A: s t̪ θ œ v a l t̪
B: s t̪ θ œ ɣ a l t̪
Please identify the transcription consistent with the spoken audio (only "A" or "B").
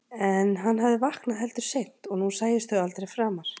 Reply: B